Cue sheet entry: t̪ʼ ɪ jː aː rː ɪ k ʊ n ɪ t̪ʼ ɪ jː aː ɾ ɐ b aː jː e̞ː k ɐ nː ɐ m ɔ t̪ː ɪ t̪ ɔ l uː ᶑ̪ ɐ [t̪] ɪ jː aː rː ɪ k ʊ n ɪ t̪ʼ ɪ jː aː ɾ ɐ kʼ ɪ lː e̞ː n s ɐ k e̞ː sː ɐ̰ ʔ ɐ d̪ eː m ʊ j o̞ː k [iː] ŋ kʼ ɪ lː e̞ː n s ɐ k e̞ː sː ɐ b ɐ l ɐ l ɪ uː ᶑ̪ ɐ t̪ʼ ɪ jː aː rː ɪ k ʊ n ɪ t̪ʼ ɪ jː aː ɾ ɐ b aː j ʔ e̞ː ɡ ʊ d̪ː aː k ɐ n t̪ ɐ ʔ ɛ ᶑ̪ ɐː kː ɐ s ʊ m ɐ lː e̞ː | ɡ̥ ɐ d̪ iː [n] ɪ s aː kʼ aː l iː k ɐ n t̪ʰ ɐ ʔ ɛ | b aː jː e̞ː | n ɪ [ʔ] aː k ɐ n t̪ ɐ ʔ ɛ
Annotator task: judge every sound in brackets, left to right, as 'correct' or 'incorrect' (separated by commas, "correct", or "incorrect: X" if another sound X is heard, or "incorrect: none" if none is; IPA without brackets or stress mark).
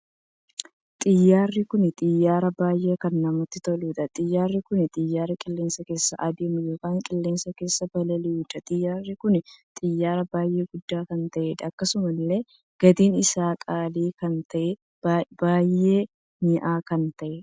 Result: incorrect: t̪ʼ, incorrect: aː, correct, correct